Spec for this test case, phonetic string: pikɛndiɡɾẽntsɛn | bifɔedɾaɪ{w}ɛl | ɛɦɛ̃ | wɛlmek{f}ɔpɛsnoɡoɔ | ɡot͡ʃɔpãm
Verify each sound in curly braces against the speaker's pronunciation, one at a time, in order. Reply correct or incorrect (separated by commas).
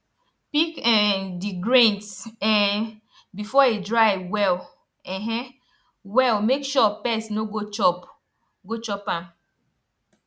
correct, incorrect